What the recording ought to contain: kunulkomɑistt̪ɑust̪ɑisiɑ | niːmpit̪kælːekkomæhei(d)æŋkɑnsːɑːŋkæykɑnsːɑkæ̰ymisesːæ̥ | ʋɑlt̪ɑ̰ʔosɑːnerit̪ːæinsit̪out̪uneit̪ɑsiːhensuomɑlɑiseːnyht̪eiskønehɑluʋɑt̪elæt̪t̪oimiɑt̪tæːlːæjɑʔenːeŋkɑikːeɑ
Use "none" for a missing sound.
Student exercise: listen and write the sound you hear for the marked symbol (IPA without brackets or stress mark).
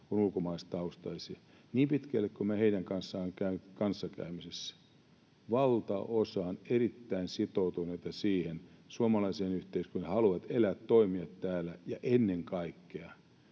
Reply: n